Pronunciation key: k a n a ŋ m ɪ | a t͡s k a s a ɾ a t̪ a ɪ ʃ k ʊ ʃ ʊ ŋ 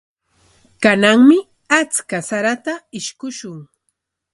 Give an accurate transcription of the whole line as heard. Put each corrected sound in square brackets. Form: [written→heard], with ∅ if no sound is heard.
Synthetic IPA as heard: k a n a ŋ m ɪ | a t͡s k a s a ɾ a t̪ a ɪ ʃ k ʊ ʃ ʊ ŋ